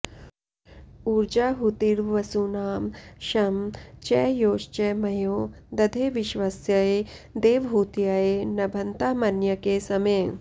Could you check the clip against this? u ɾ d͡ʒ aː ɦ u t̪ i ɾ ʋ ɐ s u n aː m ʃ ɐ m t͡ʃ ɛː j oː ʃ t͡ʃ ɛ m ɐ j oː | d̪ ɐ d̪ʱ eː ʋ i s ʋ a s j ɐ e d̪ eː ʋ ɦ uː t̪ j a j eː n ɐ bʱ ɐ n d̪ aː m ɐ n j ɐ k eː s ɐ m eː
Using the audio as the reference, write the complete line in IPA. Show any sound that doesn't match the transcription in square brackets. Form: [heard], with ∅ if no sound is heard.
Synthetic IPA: u ɾ d͡ʒ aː ɦ u t̪ i ɾ ʋ ɐ s u n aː m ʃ ɐ m t͡ʃ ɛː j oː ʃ t͡ʃ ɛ m ɐ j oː | d̪ ɐ d̪ʱ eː ʋ i [ʃ] ʋ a s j ɐ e d̪ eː ʋ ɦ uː t̪ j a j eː n ɐ bʱ ɐ n [t̪] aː m ɐ n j ɐ k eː s ɐ m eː